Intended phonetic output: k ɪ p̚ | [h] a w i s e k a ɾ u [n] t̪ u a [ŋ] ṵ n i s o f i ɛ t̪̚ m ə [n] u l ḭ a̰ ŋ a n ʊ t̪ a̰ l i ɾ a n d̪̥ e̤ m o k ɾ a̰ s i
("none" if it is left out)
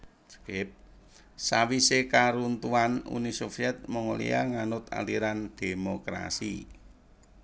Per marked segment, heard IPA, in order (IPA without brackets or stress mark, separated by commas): s, n, n, ŋ